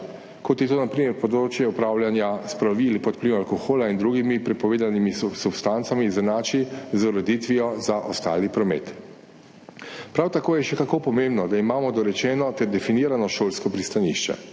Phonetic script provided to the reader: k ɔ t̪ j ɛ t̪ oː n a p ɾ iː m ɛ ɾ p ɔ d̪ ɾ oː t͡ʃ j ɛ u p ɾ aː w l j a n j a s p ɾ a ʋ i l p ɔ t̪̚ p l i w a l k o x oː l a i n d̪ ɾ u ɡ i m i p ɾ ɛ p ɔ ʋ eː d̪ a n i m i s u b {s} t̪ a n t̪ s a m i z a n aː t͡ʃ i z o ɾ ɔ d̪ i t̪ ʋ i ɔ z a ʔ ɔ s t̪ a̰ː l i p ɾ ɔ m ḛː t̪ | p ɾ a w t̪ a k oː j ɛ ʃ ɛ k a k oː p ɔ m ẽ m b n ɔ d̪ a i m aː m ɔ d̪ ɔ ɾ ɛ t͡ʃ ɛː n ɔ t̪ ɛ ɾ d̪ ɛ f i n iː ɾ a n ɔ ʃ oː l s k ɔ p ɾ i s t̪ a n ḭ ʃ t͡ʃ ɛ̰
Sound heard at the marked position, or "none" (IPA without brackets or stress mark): s